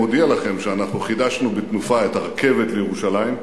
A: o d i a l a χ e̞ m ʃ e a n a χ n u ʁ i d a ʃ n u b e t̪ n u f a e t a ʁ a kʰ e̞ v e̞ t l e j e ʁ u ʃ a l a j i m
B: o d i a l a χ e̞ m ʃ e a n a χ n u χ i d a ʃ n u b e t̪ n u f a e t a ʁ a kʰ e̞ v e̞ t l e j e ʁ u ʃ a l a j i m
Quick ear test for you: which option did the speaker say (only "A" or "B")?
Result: B